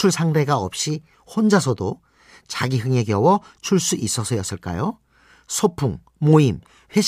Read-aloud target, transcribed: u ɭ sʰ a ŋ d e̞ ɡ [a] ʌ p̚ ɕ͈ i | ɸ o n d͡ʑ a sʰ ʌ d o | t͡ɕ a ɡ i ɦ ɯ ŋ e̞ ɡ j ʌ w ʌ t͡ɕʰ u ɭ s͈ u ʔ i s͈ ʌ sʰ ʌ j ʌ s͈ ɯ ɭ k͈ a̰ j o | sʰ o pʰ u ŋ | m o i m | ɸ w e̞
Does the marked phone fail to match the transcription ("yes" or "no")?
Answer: no